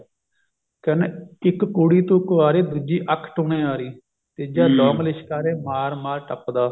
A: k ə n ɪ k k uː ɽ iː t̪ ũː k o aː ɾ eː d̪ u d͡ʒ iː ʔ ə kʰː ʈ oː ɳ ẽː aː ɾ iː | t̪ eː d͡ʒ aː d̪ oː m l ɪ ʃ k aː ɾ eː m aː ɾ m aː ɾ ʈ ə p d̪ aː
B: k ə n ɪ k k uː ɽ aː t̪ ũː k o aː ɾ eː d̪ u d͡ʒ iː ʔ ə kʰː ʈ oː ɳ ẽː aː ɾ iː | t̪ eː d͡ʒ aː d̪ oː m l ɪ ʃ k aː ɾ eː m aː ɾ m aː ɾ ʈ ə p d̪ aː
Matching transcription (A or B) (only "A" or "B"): A